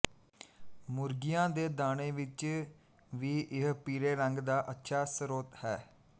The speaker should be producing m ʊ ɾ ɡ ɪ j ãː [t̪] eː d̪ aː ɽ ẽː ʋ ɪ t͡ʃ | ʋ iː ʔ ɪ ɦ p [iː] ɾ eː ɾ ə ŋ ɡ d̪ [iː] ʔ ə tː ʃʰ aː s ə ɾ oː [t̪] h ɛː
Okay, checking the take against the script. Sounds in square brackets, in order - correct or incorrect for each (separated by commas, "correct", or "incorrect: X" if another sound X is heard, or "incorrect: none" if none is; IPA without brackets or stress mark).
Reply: incorrect: d̪, correct, incorrect: aː, correct